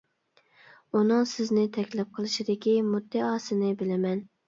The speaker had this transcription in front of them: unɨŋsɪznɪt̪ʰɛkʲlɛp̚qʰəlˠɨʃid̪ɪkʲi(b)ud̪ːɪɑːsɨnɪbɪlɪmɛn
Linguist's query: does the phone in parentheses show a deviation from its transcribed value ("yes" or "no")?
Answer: yes